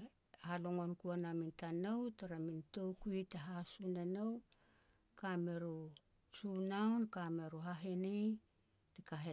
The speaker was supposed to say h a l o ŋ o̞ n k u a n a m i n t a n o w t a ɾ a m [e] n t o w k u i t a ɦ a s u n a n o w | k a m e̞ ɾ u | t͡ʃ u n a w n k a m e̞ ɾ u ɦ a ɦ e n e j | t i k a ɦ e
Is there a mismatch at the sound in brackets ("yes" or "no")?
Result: yes